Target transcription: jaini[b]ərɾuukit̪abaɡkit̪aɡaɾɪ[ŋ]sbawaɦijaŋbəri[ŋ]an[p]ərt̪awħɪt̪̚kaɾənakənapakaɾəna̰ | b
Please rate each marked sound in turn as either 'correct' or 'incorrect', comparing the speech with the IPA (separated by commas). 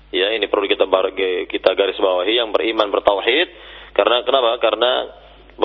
incorrect, incorrect, incorrect, incorrect